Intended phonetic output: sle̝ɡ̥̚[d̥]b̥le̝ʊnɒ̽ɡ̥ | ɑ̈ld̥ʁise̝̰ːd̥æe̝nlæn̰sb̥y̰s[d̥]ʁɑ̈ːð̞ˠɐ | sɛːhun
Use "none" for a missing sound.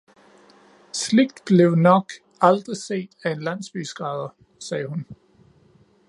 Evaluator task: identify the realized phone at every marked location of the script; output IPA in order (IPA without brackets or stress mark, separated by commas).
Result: d̥, ɡ̥